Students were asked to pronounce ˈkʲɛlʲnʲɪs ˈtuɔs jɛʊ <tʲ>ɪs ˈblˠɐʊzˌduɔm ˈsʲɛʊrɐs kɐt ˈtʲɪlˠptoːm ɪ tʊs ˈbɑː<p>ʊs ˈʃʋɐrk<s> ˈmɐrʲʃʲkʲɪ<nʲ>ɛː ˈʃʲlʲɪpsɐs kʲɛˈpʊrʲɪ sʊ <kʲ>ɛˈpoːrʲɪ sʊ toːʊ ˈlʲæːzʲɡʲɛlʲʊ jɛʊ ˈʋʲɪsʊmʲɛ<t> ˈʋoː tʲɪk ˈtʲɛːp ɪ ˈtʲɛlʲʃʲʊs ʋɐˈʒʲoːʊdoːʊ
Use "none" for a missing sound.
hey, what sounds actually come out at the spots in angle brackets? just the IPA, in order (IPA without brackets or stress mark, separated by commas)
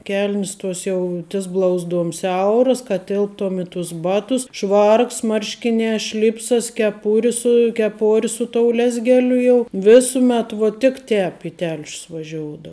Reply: tʲ, t, s, nʲ, kʲ, t